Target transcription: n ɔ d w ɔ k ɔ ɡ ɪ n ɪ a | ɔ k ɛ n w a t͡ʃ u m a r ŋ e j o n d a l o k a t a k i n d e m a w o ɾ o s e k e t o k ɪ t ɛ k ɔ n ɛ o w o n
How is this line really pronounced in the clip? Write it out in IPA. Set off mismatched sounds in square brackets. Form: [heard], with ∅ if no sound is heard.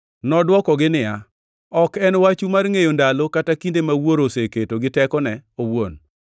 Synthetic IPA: n ɔ d w ɔ k ɔ ɡ ɪ n ɪ a | ɔ k ɛ n w a t͡ʃ u m a r ŋ e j o n d a l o k a t a k i n d e m a w o ɾ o s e k e t o [ɡ] ɪ t ɛ k ɔ n ɛ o w o n

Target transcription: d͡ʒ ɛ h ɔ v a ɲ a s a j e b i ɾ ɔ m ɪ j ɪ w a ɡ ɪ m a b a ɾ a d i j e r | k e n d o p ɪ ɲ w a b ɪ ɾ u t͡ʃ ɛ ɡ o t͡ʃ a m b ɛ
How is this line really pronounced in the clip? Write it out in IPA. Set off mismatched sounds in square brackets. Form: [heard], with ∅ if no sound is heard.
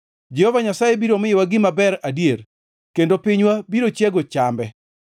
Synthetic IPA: d͡ʒ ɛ h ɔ v a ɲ a s a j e b i ɾ [o] m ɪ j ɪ w a ɡ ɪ m a b [ɛ] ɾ a d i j e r | k e n d o p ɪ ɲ w a b [i] ɾ [o] t͡ʃ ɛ ɡ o t͡ʃ a m b ɛ

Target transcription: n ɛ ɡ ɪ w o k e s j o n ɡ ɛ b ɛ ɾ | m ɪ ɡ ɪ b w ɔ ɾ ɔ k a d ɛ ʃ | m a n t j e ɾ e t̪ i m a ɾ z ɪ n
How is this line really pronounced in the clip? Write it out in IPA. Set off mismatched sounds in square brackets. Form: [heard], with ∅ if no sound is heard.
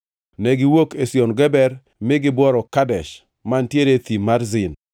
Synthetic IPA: n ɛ ɡ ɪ w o k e s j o n ɡ ɛ b ɛ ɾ | m ɪ ɡ ɪ b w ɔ ɾ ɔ k a d ɛ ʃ | m a n t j e ɾ e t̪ i m a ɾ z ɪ n

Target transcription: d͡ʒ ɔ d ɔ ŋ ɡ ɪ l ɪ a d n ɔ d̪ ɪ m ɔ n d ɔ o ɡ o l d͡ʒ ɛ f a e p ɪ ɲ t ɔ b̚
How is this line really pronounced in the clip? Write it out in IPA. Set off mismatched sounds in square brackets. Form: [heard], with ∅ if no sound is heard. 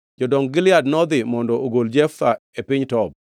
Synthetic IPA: d͡ʒ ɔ d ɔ ŋ ɡ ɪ l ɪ a d n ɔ d̪ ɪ m ɔ n d ɔ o ɡ o l d͡ʒ ɛ f a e p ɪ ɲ t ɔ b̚

